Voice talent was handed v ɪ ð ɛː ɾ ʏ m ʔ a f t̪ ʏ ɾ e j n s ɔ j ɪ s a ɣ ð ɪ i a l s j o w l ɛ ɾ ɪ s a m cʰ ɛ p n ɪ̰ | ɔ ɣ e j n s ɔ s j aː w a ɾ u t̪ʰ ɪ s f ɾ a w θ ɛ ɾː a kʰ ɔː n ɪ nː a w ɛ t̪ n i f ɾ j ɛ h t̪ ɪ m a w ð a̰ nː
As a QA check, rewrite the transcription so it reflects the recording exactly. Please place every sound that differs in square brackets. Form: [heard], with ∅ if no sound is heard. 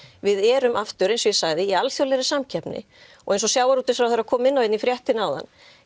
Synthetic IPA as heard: v ɪ ð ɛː ɾ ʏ m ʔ a f t̪ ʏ ɾ e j n s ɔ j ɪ s a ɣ ð ɪ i a l [θ] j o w l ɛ ɾ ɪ s a m cʰ ɛ p n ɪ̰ | ɔ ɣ e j n s ɔ s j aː w a ɾ u [t̪] ɪ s f ɾ a w θ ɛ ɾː a kʰ ɔː [m] ɪ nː a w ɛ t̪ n i f ɾ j ɛ h t̪ ɪ [n] a w ð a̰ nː